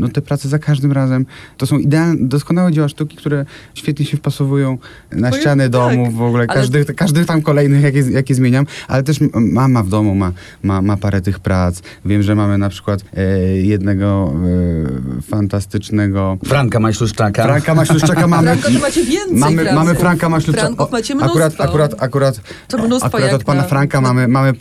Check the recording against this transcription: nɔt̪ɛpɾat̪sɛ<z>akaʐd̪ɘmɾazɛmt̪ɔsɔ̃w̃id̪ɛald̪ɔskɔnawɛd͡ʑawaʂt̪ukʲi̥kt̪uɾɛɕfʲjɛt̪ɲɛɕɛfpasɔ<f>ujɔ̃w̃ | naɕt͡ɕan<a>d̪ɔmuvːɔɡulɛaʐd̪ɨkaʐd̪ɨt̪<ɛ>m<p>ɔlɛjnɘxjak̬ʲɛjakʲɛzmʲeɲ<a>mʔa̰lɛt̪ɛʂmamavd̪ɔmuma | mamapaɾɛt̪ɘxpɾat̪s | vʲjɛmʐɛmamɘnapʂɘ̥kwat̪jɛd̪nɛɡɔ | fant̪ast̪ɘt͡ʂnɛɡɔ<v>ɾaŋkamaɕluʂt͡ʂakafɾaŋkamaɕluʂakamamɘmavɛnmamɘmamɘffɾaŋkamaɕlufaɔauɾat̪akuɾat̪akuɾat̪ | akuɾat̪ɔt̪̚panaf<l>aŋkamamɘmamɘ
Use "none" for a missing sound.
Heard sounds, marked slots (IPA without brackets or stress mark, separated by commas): z, v, ɛ, a, k, a, f, ɾ